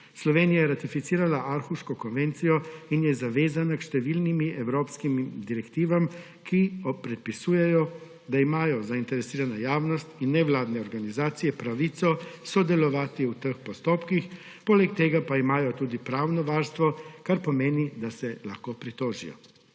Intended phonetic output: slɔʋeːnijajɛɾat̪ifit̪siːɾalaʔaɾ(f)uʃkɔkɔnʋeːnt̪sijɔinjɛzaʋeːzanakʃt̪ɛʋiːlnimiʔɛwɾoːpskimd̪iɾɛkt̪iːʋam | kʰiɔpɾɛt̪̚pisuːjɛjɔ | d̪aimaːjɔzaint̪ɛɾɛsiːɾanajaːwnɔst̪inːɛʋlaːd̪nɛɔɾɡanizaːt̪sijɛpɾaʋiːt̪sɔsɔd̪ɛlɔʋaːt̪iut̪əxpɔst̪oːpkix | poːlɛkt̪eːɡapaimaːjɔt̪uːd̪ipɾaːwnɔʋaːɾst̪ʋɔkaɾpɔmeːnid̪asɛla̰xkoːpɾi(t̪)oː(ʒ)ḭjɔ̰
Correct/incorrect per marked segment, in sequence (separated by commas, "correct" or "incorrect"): incorrect, correct, correct